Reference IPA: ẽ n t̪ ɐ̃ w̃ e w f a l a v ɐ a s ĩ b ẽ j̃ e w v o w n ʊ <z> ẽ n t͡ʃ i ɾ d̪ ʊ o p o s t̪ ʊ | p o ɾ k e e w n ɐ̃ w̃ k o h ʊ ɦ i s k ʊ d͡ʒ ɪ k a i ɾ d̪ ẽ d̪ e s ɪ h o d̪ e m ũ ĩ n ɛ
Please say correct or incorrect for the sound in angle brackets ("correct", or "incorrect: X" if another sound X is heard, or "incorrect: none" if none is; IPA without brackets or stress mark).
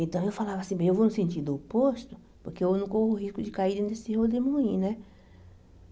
incorrect: s